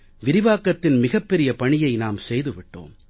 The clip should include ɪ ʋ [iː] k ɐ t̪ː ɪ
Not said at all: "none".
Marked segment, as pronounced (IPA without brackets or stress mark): aː